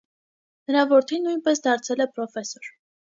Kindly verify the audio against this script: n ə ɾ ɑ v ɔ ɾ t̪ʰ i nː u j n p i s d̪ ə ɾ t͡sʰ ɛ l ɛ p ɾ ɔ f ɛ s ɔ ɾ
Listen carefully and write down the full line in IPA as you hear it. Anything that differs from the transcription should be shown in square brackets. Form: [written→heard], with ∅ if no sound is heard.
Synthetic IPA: n ə ɾ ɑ v ɔ ɾ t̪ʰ i nː u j n p [i→ɛ] s d̪ [ə→ɑ] ɾ t͡sʰ ɛ l ɛ p ɾ ɔ f ɛ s ɔ ɾ